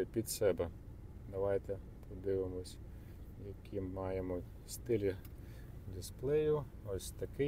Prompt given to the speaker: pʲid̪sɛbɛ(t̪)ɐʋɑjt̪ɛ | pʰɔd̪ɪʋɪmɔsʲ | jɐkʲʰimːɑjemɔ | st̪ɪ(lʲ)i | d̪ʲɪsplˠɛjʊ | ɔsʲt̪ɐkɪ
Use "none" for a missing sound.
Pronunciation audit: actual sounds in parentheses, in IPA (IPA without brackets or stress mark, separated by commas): d̪, lʲ